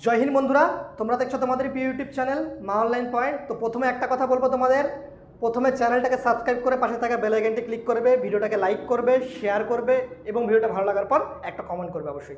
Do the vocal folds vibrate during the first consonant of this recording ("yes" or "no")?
yes